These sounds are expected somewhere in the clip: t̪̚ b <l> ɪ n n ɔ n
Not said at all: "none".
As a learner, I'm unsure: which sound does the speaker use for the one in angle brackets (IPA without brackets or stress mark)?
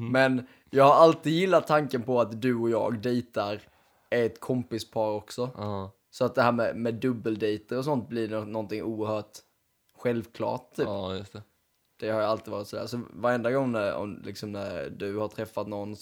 l